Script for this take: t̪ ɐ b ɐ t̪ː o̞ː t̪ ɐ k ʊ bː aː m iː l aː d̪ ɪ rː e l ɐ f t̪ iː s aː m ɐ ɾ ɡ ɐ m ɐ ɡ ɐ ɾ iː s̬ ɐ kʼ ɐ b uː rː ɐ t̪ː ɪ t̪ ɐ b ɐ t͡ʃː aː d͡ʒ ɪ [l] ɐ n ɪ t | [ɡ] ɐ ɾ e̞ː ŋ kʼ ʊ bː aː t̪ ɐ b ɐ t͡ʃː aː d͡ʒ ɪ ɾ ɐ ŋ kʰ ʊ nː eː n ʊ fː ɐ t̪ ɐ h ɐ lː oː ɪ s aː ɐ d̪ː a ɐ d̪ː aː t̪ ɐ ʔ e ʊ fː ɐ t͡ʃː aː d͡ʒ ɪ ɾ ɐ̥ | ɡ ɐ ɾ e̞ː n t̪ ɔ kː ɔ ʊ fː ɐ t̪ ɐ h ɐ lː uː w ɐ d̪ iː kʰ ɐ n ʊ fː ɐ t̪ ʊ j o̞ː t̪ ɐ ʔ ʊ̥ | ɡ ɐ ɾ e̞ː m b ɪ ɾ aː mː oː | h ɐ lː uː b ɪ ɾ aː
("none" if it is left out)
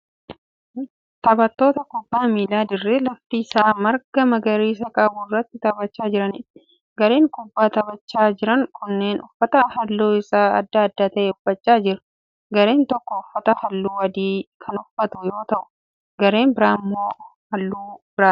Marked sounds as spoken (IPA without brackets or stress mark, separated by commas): ɾ, ɡ